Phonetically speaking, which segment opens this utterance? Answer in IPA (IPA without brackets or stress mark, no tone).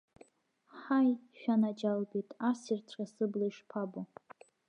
ħ